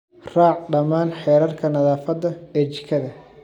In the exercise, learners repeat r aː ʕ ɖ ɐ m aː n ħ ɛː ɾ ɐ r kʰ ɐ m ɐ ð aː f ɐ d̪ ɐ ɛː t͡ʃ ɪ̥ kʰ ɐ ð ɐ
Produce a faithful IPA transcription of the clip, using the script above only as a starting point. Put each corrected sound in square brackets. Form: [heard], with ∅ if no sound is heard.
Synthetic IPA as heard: r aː ʕ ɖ ɐ m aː n ħ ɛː ɾ ɐ r kʰ ɐ [n] ɐ ð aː f ɐ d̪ ɐ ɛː t͡ʃ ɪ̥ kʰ ɐ ð ɐ